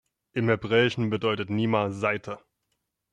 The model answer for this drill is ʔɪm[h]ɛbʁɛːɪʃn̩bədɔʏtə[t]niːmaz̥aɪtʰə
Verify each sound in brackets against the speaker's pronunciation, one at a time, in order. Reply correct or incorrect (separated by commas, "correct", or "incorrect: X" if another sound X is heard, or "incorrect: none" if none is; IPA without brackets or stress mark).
correct, correct